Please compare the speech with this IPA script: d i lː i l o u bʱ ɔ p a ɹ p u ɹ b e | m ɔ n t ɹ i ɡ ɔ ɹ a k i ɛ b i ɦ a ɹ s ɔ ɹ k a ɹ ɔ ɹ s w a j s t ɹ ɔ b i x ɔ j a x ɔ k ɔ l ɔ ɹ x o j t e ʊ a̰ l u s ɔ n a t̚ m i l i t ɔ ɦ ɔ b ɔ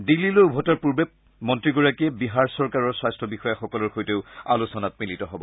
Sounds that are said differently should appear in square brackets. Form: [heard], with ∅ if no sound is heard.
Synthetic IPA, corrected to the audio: d i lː i l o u bʱ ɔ [t] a ɹ p u ɹ b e | m ɔ n t ɹ i ɡ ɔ ɹ a k i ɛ b i ɦ a ɹ s ɔ ɹ k a ɹ ɔ ɹ s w a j s t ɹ ɔ b i x ɔ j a x ɔ k ɔ l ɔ ɹ x o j t e ʊ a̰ l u s ɔ n a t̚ m i l i t ɔ ɦ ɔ b ɔ

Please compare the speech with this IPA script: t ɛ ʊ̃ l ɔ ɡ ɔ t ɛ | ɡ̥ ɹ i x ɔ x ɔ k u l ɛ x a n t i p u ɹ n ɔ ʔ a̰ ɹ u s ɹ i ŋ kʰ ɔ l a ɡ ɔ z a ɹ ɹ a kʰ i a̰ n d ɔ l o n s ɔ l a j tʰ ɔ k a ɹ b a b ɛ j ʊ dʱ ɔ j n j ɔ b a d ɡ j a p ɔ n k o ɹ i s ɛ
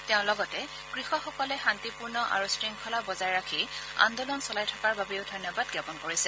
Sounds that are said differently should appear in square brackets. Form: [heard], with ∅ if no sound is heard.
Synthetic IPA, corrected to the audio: t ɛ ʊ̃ l ɔ ɡ ɔ t ɛ | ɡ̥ ɹ i x ɔ x ɔ k [ɔ] l ɛ x a n t i p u ɹ n ɔ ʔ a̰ ɹ u s ɹ i ŋ kʰ ɔ l a [b] ɔ z a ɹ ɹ a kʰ i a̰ n d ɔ l [ɔ] n s ɔ l a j tʰ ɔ k a ɹ b a b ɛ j ʊ dʱ ɔ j n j ɔ b a d ɡ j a p ɔ n k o ɹ i s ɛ

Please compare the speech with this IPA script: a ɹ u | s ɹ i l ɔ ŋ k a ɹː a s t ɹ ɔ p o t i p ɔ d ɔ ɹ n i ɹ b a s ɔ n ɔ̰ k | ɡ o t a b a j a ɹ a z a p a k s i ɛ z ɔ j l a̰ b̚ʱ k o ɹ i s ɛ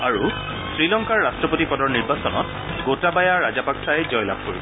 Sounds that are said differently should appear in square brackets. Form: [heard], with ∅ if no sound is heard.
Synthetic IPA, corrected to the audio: a ɹ u | s ɹ i l ɔ ŋ k a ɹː a s t ɹ ɔ p o t i p ɔ d ɔ ɹ n i ɹ b a s ɔ n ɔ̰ [t] | ɡ o t a b a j a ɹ a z a p a k s [a] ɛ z ɔ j l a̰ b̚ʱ k o ɹ i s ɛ

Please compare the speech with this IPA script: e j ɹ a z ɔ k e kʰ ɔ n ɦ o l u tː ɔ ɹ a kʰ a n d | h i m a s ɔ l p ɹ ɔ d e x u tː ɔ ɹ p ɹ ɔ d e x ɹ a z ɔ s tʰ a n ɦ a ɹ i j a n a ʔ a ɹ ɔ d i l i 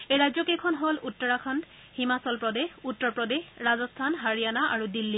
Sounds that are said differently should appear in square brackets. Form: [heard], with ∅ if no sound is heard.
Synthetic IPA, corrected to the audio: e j ɹ a z ɔ k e kʰ ɔ n ɦ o l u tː ɔ ɹ a kʰ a n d | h i m a s ɔ l p ɹ ɔ d e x u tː ɔ ɹ p ɹ ɔ d e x ɹ a z ɔ s tʰ a n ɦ a ɹ i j a n a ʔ a ɹ [u] d i [lː] i

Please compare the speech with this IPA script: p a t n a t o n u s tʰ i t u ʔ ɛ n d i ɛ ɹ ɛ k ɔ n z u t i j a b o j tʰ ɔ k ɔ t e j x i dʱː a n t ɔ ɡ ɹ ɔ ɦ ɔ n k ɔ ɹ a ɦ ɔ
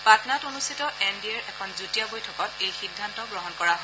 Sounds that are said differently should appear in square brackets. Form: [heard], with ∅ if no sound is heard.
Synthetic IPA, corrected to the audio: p a t n a t o n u s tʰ i t [ɔ] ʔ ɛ n d i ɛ ɹ ɛ [kʰ] ɔ n z u t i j a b o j tʰ ɔ k ɔ t e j x i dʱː a n t ɔ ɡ ɹ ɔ ɦ ɔ n k ɔ ɹ a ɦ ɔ

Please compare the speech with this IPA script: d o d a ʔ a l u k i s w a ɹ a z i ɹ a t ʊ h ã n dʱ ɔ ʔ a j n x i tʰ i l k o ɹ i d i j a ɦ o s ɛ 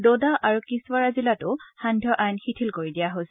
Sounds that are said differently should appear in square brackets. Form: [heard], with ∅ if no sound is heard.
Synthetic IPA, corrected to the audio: d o d a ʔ a [ɹ] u k i s w a ɹ a z i [l] a t ʊ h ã n dʱ ɔ ʔ a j n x i tʰ i l k o ɹ i d i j a ɦ o s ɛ

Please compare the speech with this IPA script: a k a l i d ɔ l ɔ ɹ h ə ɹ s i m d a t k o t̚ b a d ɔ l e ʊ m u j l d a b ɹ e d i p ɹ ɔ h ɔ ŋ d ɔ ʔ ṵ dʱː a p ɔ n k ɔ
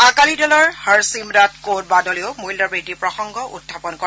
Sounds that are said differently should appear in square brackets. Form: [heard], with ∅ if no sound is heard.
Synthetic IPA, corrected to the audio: a k a l i d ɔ l ɔ ɹ h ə ɹ s i m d a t k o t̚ b a d ɔ l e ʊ m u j l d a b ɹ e d i p ɹ ɔ [x] ɔ ŋ [ɡ] ɔ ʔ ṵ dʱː a p ɔ n k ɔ

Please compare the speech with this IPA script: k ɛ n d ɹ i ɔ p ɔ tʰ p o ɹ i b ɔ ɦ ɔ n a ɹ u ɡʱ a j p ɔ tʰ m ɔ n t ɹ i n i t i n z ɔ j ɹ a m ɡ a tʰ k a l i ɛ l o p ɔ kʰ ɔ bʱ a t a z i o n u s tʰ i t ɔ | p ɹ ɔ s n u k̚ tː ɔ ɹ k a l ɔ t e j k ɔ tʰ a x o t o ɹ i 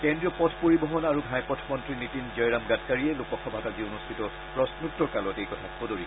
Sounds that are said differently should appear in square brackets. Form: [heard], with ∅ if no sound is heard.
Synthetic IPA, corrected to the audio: k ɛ n d ɹ i ɔ p ɔ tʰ p o ɹ i b ɔ ɦ ɔ n a ɹ u ɡʱ a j p ɔ tʰ m ɔ n t ɹ i n i t i n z ɔ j ɹ a m ɡ a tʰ k a [ɹ] i ɛ l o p ɔ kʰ ɔ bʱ a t a z i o n u s tʰ i t ɔ | p ɹ ɔ s n u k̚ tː ɔ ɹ k a l ɔ t e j k ɔ tʰ a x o [d] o ɹ i

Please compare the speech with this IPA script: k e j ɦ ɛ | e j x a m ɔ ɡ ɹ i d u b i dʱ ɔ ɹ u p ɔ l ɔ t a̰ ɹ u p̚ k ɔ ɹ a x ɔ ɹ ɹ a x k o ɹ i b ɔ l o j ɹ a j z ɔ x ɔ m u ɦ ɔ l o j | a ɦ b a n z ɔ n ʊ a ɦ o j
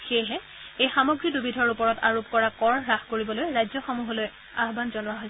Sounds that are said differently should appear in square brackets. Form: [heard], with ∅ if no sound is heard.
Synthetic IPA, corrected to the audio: [x] e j ɦ ɛ | e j x a m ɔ ɡ ɹ i d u b i dʱ ɔ ɹ u p ɔ [ɹ] ɔ t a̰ ɹ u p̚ k ɔ ɹ a [k] ɔ ɹ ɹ a x k o ɹ i b ɔ l o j ɹ a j z ɔ x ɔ m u ɦ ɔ l o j | a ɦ b a n z ɔ n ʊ a ɦ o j

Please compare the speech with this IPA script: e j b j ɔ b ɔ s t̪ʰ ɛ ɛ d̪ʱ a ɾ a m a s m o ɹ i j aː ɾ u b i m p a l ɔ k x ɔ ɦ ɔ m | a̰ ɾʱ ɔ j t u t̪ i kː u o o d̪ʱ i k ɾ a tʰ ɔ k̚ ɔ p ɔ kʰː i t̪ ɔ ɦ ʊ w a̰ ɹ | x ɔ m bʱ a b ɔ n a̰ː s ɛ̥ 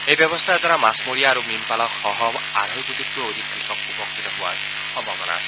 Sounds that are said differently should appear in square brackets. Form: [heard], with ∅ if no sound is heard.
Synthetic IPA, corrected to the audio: e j b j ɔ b ɔ s t̪ʰ [a] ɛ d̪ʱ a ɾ a m a s m o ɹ i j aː ɾ u [m] i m p a l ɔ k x ɔ ɦ ɔ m | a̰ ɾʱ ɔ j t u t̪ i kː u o o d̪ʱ i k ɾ [i] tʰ ɔ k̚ [u] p ɔ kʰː i t̪ ɔ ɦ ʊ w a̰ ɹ | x ɔ m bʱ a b ɔ n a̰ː s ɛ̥

